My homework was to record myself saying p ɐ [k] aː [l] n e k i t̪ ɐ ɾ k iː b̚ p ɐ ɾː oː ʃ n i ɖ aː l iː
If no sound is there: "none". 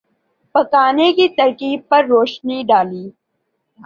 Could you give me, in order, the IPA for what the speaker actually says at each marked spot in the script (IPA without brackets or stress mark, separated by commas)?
k, none